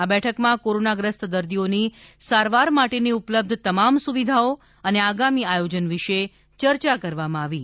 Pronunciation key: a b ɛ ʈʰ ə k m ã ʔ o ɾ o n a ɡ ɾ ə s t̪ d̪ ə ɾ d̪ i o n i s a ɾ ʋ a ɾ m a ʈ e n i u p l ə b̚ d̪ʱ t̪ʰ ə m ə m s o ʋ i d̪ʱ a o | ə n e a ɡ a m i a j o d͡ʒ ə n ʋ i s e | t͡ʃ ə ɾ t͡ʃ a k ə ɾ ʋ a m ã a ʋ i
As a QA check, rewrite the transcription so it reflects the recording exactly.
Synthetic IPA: a b ɛ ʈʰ ə k m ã k o ɾ o n a ɡ ɾ ə s t̪ d̪ ə ɾ d̪ i o n i s a ɾ ʋ a ɾ m a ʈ e n i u p l ə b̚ d̪ʱ t̪ ə m a m s u ʋ i d̪ʱ a o | ə n e a ɡ a m i a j o d͡ʒ ə n ʋ i ʃ e | t͡ʃ ə ɾ t͡ʃ a k ə ɾ ʋ a m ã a ʋ i